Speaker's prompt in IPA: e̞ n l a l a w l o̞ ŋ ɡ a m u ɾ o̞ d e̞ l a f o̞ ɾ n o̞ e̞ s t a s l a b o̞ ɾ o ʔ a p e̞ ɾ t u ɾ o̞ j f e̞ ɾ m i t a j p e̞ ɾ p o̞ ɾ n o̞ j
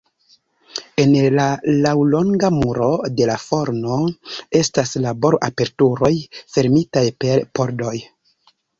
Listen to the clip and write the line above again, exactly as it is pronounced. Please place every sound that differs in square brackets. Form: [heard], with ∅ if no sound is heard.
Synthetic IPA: e̞ n l a l a w l o̞ ŋ ɡ a m u ɾ o̞ d e̞ l a f o̞ ɾ n o̞ e̞ s t a s l a b o̞ ɾ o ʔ a p e̞ ɾ t u ɾ o̞ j f e̞ ɾ m i t a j p e̞ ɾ p o̞ ɾ [d] o̞ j